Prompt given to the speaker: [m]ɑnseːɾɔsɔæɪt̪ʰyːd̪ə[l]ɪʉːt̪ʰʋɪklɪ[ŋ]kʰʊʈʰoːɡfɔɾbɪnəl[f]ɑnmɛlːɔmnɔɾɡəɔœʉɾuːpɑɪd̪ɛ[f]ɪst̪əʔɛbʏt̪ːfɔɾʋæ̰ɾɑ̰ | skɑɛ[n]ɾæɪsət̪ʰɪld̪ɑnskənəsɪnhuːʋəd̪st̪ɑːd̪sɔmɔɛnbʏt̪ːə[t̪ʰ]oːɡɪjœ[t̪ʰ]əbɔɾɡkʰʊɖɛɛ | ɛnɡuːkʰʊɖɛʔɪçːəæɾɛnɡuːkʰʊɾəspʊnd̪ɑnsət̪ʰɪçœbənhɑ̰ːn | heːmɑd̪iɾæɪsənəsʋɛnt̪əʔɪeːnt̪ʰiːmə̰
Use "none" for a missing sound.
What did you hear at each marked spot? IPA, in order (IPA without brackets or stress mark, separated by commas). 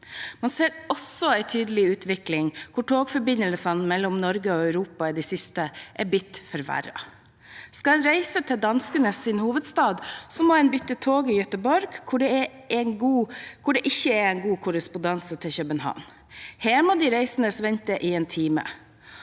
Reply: m, l, ŋ, s, s, n, t̪ʰ, t̪